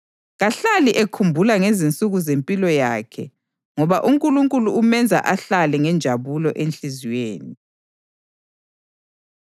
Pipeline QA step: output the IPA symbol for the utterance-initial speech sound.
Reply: ɣ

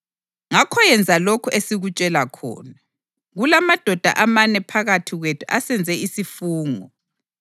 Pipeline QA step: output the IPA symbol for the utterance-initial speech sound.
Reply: ŋ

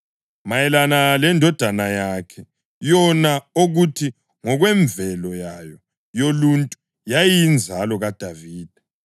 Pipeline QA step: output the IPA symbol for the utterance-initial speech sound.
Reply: m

